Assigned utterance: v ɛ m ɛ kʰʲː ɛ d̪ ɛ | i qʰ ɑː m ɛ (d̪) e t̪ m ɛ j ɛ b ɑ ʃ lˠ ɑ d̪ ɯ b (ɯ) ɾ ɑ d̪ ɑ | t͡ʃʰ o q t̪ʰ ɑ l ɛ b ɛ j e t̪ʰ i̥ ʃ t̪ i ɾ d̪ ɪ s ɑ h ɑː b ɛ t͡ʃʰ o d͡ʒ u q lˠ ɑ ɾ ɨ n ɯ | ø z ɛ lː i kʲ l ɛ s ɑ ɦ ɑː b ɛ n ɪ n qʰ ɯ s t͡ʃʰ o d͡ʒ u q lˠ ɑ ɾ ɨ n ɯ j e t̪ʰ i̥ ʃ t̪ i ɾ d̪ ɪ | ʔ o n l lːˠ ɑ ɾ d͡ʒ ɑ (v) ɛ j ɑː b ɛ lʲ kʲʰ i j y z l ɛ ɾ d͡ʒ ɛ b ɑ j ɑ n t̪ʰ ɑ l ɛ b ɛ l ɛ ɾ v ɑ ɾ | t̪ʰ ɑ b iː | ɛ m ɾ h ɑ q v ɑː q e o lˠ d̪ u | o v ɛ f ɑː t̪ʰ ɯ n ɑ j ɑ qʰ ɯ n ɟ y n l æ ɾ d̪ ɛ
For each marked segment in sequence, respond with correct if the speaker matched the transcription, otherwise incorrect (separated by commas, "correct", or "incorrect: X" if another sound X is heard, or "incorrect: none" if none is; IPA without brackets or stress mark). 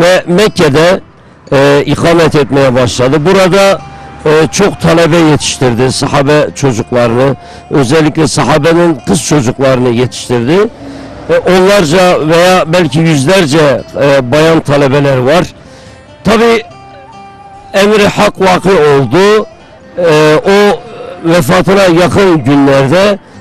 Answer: incorrect: t̪, incorrect: u, correct